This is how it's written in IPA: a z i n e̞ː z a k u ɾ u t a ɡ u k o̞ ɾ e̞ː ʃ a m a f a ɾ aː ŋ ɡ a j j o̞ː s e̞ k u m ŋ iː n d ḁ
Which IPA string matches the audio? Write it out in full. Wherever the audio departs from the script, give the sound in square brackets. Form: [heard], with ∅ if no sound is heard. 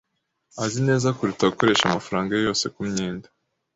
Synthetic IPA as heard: a z i n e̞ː z a k u ɾ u t a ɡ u k o̞ ɾ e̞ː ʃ a m a f a ɾ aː ŋ ɡ a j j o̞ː s e̞ k u m [ɲ] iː n d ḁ